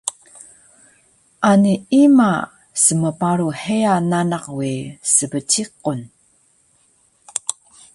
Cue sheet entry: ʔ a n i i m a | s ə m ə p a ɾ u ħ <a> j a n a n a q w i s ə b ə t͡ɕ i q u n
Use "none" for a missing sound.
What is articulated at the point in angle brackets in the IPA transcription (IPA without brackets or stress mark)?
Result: e